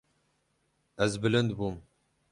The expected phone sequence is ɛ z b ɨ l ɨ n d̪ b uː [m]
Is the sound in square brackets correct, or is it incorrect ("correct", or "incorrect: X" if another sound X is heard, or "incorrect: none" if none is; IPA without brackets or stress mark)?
correct